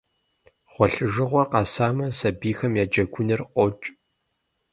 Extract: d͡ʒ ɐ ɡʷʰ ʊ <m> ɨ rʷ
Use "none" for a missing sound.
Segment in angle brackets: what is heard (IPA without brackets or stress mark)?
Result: n